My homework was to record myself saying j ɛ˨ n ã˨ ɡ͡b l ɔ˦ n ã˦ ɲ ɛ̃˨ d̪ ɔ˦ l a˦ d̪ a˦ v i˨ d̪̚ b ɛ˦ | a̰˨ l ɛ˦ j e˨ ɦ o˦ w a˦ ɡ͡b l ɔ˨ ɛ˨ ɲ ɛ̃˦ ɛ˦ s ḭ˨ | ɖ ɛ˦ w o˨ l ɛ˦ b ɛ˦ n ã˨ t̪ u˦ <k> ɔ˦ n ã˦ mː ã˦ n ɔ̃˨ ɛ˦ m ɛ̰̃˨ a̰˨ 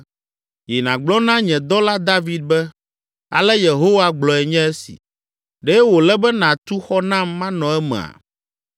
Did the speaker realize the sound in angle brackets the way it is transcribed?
no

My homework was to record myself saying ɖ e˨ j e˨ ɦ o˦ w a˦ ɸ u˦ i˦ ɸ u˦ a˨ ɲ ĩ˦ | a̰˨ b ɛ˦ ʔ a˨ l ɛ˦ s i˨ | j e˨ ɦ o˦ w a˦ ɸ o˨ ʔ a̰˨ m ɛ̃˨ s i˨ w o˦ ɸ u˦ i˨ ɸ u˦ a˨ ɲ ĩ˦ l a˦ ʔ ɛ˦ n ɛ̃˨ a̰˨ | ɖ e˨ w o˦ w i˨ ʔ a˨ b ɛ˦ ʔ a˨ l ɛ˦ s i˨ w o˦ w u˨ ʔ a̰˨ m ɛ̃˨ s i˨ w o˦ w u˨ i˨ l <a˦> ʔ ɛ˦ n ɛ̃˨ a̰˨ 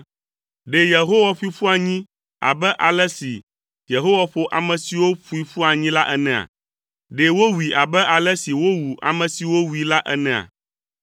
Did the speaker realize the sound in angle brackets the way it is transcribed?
yes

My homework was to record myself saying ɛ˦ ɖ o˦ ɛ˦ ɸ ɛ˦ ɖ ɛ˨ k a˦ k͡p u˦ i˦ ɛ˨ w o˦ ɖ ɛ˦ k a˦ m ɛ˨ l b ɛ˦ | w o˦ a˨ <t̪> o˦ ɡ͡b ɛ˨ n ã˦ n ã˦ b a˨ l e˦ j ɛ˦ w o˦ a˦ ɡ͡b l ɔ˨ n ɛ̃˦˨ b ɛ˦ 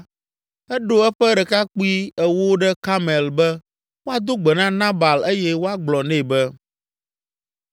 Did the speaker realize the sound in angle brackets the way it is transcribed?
no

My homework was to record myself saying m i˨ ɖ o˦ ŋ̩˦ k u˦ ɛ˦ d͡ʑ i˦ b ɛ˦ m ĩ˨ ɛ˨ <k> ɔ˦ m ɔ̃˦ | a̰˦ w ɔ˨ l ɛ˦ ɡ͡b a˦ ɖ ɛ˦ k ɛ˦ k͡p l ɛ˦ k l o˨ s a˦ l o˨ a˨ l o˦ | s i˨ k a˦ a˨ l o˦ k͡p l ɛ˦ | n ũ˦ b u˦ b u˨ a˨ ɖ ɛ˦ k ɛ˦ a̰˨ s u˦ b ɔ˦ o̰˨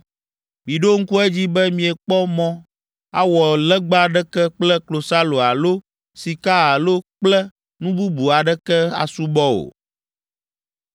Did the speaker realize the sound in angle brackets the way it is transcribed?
no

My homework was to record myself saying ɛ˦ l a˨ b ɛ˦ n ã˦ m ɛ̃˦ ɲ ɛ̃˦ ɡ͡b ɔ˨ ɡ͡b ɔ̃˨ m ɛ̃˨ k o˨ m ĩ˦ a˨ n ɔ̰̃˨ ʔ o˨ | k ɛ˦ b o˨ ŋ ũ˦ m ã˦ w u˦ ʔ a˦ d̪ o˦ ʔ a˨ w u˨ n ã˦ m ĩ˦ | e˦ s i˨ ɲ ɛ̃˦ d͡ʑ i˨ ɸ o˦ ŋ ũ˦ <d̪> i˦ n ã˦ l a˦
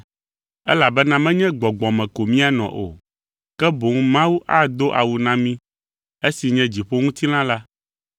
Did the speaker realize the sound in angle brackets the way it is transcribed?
no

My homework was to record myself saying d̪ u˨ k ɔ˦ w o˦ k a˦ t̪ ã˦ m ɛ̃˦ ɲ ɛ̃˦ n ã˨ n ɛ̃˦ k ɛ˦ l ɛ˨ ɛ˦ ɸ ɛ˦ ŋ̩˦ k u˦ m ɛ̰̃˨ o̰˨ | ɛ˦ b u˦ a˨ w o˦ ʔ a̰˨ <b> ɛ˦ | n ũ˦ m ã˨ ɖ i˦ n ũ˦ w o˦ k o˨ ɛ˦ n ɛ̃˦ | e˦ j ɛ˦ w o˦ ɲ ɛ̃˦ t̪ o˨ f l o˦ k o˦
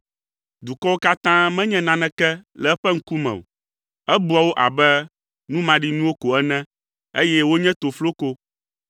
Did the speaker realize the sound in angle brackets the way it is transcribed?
yes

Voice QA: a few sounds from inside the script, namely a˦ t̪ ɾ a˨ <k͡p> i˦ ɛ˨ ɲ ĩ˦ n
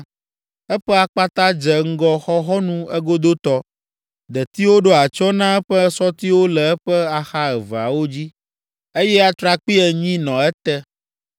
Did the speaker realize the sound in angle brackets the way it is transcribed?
yes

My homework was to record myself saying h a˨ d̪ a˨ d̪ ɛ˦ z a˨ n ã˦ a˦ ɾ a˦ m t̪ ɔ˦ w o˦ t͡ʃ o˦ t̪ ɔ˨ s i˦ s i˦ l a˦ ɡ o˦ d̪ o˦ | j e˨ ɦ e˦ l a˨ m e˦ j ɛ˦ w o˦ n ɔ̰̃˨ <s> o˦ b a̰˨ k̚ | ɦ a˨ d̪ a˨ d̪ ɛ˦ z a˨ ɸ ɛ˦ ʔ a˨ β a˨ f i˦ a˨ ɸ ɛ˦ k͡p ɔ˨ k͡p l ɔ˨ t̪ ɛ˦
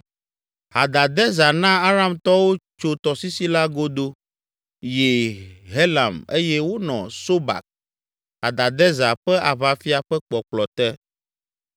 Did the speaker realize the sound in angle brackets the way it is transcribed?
yes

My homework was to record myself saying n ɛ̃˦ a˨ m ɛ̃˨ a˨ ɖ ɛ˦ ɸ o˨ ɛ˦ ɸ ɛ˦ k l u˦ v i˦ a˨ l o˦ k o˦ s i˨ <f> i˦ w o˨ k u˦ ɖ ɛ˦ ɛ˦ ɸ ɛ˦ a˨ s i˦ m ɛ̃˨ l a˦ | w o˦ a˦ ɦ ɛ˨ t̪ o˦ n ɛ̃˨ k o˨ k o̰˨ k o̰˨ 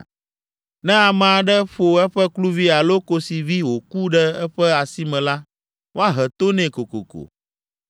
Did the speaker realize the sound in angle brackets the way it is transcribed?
no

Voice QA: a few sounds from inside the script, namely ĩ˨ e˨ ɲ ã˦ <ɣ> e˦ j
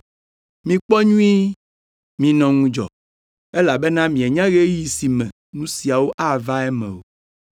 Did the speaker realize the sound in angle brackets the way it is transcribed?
yes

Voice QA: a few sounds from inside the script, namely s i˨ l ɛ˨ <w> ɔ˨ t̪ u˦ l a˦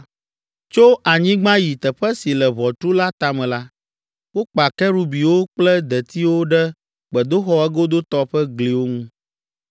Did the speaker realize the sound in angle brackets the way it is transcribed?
no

